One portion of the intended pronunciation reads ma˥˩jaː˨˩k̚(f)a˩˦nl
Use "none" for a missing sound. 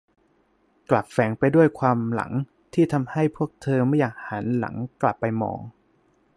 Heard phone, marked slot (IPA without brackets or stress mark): h